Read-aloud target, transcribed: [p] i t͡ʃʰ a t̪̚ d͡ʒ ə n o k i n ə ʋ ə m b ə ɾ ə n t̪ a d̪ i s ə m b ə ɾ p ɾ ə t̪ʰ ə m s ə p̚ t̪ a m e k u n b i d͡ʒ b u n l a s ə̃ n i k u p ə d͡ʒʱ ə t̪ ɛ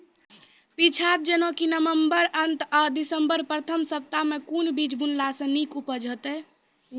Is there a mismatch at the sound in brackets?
no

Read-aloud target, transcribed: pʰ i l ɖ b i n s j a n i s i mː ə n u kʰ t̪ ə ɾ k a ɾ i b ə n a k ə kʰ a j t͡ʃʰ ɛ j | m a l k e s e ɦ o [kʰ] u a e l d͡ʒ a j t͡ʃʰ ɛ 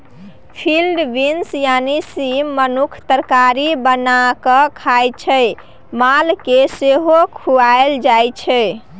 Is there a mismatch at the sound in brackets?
no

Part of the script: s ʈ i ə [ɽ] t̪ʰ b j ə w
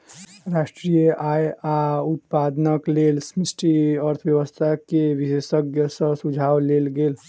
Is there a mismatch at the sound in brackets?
yes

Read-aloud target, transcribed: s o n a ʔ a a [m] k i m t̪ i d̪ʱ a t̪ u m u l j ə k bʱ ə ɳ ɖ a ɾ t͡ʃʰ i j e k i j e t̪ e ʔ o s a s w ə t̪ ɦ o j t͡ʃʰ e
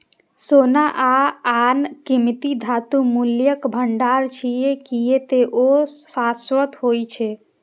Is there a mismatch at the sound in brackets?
yes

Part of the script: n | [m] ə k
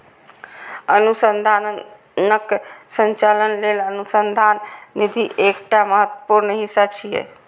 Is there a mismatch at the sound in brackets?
yes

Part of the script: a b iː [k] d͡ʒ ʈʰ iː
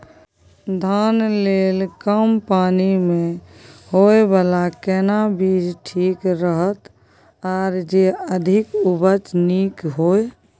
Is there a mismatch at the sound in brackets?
yes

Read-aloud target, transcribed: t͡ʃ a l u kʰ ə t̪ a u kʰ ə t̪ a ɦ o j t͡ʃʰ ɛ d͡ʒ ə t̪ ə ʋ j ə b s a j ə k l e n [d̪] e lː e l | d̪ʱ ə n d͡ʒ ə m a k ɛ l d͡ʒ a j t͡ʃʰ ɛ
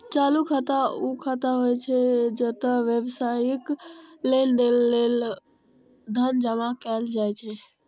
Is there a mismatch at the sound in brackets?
no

